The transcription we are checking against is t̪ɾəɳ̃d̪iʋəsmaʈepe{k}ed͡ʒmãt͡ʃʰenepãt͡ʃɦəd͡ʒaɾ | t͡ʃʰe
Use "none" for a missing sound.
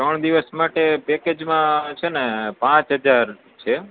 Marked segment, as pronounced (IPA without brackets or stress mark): k